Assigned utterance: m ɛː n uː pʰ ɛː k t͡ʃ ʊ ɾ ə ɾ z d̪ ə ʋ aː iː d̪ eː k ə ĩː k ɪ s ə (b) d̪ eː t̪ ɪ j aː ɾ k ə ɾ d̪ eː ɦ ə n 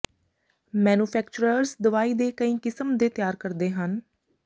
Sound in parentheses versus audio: incorrect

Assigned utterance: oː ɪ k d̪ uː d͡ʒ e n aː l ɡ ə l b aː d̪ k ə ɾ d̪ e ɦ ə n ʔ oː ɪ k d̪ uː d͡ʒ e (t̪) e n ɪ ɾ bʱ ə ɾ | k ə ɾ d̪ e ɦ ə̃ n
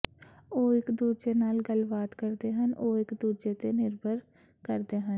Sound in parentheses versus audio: correct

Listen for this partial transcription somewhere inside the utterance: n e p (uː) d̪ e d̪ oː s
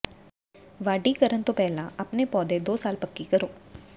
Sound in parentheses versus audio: incorrect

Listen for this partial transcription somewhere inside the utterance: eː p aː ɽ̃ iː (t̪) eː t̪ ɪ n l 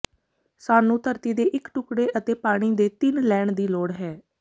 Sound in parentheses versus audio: incorrect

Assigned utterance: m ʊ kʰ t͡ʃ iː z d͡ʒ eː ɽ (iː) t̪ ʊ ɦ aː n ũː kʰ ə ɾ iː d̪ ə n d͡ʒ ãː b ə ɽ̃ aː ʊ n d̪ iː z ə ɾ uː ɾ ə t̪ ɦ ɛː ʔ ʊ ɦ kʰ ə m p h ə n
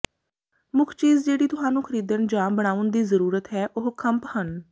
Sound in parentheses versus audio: correct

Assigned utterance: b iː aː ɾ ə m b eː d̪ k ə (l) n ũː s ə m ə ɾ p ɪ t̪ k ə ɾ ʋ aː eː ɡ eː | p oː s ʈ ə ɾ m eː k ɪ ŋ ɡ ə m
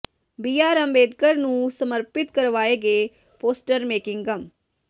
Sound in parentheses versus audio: incorrect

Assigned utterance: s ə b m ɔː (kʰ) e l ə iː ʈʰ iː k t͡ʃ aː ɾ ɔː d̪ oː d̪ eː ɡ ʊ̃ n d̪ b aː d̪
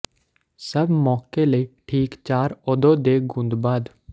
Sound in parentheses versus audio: incorrect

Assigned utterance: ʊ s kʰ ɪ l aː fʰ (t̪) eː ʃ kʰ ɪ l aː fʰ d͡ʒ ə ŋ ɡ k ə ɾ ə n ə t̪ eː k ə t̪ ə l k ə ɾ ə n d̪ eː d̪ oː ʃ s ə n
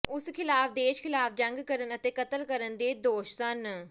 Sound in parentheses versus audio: incorrect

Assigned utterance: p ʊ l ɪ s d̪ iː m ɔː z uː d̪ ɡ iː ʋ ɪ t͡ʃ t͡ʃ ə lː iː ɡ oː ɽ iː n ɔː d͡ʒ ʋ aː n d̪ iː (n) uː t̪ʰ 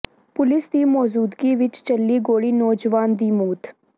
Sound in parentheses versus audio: incorrect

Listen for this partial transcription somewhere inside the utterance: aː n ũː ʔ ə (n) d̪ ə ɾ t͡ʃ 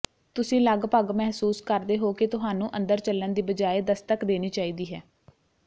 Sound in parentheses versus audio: correct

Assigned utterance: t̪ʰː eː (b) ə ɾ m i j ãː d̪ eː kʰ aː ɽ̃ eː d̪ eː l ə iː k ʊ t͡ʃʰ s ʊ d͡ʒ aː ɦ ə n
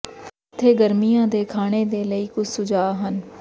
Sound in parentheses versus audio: incorrect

